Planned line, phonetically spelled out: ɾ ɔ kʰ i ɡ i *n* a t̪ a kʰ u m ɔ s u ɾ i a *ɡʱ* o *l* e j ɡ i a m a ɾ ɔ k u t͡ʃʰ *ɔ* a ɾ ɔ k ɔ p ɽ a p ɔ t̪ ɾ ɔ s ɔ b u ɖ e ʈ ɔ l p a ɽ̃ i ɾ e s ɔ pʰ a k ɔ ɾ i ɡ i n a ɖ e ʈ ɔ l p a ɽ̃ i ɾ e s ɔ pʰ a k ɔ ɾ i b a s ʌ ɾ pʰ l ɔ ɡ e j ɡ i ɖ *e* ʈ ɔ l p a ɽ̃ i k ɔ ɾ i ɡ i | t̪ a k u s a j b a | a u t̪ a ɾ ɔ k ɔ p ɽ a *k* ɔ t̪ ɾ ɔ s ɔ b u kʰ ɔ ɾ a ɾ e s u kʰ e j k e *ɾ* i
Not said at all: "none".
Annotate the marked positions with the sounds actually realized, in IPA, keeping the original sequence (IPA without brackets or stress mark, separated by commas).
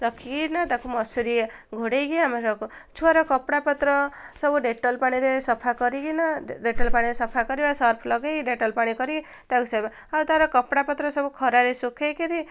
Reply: n, ɡʱ, ɽ, u, e, p, ɾ